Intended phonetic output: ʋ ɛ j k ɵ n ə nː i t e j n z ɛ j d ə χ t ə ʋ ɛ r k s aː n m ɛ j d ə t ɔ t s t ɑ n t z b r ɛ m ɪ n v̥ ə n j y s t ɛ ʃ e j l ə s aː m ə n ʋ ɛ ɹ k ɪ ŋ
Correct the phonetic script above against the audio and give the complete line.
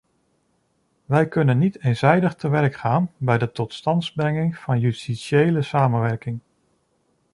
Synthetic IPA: ʋ ɛ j k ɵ n ə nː i t e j n z ɛ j d ə χ t ə ʋ ɛ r k χ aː n b ɛ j d ə t ɔ t s t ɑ n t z b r ɛ ŋ ɪ ŋ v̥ ɑ n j y s t i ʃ e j l ə s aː m ə n ʋ ɛ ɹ k ɪ ŋ